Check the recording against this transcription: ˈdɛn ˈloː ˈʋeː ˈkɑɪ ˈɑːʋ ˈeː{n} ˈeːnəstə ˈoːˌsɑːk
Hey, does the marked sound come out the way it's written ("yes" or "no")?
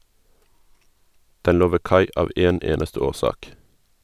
yes